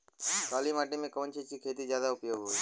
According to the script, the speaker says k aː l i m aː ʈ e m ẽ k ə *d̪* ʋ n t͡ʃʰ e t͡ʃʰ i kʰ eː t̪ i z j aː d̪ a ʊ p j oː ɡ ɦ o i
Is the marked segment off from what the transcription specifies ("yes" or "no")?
yes